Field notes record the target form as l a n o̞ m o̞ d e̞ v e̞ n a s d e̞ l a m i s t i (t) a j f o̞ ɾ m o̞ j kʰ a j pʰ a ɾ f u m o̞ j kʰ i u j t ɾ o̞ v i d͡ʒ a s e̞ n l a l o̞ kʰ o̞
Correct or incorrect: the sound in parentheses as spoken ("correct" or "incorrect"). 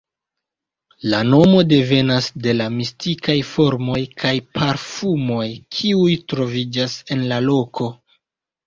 incorrect